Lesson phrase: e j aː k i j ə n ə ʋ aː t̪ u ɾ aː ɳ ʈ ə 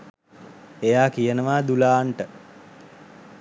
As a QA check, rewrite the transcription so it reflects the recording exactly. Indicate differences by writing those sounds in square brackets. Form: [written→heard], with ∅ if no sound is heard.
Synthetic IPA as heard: e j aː k i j ə n ə ʋ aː [t̪→d̪] u [ɾ→l] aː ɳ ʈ ə